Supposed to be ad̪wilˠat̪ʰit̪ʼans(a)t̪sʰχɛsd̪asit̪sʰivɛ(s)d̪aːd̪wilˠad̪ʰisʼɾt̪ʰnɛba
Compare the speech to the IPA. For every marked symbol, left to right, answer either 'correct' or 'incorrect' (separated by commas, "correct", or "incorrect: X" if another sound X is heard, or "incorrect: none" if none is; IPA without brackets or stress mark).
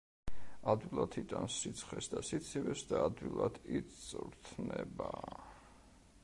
incorrect: i, correct